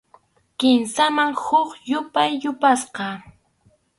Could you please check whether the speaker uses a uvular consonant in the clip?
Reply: yes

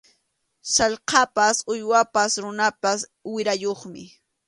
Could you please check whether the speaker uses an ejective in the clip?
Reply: no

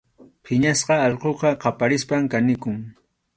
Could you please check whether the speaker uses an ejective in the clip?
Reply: no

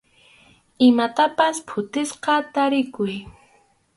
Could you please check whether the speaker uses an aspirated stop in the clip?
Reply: yes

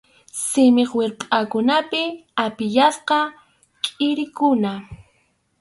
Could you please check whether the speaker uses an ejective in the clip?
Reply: yes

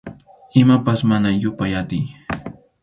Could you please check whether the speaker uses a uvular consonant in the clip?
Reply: no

